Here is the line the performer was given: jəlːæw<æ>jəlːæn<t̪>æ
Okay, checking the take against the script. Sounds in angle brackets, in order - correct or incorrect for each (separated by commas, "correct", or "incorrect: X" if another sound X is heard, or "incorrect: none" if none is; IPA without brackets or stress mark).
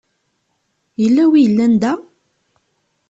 incorrect: i, incorrect: d̪